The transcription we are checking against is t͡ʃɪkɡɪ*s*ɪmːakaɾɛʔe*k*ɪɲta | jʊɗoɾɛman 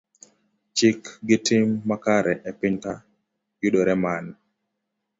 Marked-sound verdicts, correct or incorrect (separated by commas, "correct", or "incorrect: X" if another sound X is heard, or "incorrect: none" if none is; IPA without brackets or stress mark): incorrect: t, incorrect: p